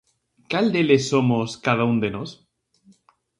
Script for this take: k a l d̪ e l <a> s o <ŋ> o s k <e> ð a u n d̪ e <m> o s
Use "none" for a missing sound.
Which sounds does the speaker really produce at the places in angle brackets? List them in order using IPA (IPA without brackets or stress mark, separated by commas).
e, m, a, n